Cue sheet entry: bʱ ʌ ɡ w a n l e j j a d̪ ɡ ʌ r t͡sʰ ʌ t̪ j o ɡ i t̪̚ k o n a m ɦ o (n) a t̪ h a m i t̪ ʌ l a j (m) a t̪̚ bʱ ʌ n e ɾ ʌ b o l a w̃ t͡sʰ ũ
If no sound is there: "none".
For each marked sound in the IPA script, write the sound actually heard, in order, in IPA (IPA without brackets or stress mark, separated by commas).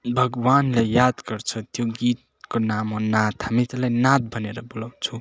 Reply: n, n